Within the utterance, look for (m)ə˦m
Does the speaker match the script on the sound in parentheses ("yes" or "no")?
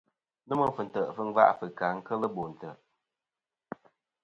no